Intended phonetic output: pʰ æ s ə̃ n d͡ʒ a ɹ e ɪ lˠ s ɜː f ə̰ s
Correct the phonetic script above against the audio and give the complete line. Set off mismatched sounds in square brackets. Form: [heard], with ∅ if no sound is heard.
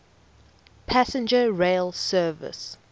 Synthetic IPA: pʰ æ s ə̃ n d͡ʒ [ə] ɹ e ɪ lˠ s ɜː [v] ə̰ s